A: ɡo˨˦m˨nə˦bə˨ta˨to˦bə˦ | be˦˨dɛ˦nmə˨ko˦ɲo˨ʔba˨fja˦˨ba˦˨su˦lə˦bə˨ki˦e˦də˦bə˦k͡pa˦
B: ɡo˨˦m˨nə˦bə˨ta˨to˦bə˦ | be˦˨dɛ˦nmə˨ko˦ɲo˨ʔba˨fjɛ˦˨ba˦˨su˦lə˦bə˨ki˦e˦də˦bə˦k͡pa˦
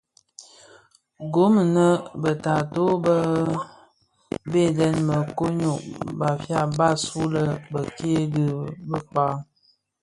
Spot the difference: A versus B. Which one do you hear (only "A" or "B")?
A